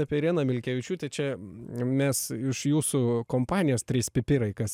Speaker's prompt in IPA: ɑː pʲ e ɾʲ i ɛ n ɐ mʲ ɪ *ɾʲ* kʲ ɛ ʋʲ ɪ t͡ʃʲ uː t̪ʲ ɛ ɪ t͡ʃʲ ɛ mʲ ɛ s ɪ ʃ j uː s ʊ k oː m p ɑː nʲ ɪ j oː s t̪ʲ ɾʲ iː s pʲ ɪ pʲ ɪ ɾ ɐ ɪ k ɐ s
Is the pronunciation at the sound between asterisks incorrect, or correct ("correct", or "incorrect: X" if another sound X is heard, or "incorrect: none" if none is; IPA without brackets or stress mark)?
incorrect: lʲ